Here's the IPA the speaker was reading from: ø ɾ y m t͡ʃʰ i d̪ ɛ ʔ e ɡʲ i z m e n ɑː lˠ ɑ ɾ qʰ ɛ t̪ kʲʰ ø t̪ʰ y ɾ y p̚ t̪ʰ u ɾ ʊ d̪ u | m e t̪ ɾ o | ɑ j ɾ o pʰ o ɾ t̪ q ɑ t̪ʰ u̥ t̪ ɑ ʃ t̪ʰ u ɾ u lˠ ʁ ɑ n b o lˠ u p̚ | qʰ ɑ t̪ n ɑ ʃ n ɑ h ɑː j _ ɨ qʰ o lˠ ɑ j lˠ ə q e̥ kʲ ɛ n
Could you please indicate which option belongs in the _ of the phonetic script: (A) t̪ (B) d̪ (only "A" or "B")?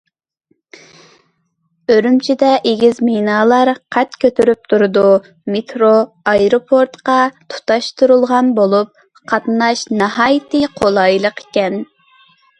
A